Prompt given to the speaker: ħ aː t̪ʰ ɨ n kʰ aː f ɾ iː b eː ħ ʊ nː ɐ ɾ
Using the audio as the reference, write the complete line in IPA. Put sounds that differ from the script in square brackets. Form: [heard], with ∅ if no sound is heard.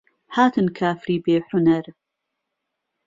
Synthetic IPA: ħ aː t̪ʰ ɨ n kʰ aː f ɾ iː b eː ħ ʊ [n] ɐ ɾ

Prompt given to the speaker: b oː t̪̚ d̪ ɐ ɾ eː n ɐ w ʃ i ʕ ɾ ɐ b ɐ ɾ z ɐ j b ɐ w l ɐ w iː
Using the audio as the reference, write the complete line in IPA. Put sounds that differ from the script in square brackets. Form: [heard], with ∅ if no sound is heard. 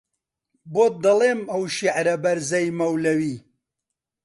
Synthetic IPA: b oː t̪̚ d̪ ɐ [l] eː [m] ɐ w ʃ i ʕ ɾ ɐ b ɐ ɾ z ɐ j [m] ɐ w l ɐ w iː

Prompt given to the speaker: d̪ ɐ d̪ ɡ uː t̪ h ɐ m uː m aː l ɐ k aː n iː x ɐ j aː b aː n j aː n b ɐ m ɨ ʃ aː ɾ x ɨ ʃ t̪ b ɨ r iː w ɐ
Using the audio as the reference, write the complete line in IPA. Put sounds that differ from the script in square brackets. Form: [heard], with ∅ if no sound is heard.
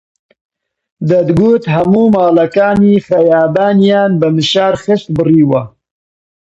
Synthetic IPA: d̪ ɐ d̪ ɡ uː t̪ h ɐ m uː m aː l ɐ k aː n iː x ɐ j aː b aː n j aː n b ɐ m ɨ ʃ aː ɾ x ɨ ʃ t̪ b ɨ r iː w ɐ

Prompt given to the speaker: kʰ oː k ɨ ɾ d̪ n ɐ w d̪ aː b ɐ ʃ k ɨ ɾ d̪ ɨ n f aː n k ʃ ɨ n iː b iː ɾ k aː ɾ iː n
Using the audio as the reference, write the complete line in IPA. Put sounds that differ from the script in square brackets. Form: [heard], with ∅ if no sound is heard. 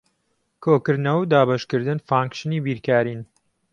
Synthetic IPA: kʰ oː k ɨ ɾ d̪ n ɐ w d̪ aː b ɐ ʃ k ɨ ɾ d̪ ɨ n f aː [ŋ] k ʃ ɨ n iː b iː ɾ k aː ɾ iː n

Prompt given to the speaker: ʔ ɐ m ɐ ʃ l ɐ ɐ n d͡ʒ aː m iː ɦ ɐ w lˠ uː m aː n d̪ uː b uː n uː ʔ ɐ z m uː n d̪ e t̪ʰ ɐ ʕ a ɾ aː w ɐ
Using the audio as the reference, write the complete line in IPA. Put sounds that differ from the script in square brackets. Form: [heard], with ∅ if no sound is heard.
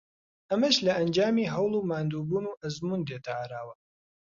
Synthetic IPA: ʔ ɐ m ɐ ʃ l ɐ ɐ n d͡ʒ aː m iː ɦ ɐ w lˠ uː m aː n d̪ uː b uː n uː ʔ ɐ z m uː n d̪ e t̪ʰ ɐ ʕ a ɾ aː w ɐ

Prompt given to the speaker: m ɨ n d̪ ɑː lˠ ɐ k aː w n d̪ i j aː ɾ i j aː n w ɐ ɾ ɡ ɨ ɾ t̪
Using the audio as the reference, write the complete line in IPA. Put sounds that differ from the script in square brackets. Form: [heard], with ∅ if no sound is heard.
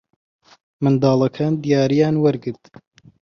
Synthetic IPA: m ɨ n d̪ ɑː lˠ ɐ [kʰ] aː [∅] n d̪ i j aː ɾ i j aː n w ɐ ɾ ɡ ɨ ɾ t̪

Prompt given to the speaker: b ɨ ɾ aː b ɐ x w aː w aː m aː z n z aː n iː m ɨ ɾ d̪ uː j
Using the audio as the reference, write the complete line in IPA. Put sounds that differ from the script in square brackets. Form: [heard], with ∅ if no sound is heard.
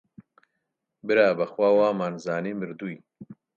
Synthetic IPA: b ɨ ɾ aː b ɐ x w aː w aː m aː [∅] n z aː n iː m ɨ ɾ d̪ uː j

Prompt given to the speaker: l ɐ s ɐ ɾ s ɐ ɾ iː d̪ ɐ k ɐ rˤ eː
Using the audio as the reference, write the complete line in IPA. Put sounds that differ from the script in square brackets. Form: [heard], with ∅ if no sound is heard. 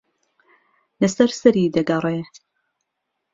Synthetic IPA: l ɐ s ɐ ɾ s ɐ ɾ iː d̪ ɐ [ɡ] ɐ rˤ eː

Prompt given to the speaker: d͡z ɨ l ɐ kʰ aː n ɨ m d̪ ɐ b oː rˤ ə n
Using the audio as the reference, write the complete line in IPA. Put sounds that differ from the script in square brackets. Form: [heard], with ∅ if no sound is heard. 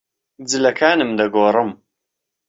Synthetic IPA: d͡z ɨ l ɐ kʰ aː n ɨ m d̪ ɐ [ɡ] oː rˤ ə [m]

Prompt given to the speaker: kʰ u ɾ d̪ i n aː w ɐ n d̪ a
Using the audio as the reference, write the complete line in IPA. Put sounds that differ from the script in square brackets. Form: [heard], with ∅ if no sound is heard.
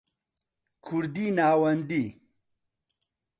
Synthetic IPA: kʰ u ɾ d̪ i n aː w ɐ n d̪ [i]

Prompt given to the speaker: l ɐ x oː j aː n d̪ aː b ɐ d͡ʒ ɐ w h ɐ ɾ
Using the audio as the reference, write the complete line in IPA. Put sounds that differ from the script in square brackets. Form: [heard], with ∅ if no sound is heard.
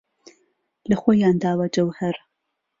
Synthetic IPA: l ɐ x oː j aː n d̪ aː [w] ɐ d͡ʒ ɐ w h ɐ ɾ

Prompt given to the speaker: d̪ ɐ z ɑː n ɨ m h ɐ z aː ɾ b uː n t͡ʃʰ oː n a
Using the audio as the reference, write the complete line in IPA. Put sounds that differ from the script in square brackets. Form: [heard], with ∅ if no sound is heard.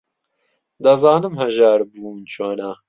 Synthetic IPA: d̪ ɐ z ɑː n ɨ m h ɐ [ʒ] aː ɾ b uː n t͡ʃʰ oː n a

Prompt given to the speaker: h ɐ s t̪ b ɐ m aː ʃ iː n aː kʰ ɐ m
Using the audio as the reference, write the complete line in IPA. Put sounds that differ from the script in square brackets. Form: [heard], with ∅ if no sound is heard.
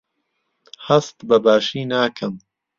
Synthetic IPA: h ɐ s t̪ b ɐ [b] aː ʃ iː n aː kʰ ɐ m

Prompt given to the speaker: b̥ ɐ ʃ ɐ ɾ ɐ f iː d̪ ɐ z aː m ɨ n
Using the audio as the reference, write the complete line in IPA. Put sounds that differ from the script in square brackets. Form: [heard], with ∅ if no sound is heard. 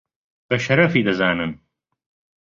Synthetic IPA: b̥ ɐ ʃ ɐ ɾ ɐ f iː d̪ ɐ z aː [n] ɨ n

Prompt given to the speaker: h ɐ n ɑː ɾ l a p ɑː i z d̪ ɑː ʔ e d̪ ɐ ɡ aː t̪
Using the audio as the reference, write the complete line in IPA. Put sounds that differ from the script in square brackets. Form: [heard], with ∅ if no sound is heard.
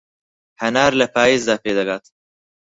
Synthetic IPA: h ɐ n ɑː ɾ l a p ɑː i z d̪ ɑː [p] e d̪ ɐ ɡ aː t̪

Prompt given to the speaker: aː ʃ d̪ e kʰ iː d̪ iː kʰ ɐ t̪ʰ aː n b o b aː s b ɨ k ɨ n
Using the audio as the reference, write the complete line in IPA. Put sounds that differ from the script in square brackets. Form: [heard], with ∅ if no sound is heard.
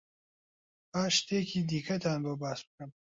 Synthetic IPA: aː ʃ [t̪] e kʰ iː d̪ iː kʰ ɐ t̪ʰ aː n b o b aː s b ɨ k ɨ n

